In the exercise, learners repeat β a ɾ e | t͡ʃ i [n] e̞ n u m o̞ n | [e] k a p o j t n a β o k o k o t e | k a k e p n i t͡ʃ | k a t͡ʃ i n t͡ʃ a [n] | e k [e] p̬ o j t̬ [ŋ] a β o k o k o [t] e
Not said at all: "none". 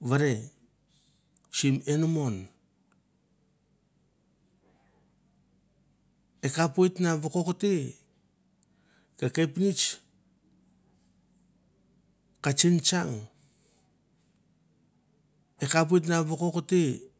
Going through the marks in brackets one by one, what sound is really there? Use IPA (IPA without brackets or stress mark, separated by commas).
m, e, ŋ, a, n, t